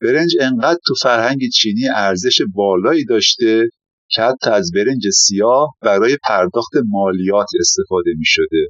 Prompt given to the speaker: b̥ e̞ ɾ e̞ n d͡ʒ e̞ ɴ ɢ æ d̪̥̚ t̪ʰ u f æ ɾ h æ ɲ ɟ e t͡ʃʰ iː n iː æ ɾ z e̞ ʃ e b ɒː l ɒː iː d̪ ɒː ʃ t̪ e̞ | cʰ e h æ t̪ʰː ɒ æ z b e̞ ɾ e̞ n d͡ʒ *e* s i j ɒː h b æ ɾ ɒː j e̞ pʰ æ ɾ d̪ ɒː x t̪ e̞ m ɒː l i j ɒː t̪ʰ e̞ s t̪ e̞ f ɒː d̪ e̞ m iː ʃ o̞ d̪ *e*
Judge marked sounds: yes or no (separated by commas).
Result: yes, yes